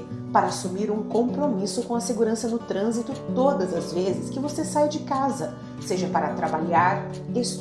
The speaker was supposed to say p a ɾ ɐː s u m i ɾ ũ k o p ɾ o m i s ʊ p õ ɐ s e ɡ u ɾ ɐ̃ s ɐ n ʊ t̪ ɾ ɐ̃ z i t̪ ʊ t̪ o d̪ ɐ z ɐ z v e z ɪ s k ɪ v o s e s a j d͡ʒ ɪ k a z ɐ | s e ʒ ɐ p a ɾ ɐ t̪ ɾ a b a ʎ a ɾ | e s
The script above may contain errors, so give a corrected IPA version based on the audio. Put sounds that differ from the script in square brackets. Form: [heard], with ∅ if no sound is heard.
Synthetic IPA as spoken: p a ɾ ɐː s u m i ɾ ũ k [õ] p ɾ o m i s ʊ [k] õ ɐ s e ɡ u ɾ ɐ̃ s ɐ n ʊ t̪ ɾ ɐ̃ z i t̪ ʊ t̪ o d̪ ɐ z ɐ z v e z ɪ s k ɪ v o s e s a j d͡ʒ ɪ k a z ɐ | s e ʒ ɐ p a ɾ ɐ t̪ ɾ a b a ʎ a ɾ | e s